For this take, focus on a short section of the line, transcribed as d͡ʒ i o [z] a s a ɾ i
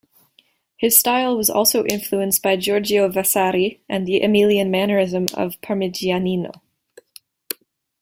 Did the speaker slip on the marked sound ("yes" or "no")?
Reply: yes